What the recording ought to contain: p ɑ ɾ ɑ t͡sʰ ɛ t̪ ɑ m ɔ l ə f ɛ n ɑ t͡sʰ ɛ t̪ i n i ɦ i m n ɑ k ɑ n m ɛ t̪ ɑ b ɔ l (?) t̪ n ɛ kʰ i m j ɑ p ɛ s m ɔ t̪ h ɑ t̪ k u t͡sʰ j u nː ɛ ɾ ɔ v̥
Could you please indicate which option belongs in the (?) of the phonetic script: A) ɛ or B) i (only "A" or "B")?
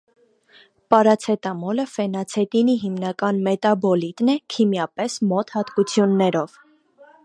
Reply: B